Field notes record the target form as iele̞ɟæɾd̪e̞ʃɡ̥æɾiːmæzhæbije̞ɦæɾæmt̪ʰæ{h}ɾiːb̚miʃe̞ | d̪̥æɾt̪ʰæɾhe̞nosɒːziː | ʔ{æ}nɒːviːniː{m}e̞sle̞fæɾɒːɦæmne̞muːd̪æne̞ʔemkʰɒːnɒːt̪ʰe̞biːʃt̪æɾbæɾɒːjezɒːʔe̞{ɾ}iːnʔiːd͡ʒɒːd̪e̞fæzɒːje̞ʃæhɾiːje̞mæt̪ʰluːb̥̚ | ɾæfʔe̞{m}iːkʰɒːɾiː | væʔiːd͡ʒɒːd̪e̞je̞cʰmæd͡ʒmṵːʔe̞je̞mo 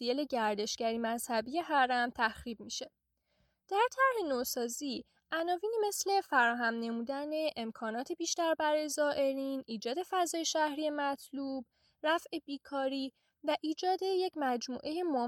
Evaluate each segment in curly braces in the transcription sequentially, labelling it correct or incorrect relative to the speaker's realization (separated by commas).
incorrect, correct, correct, correct, incorrect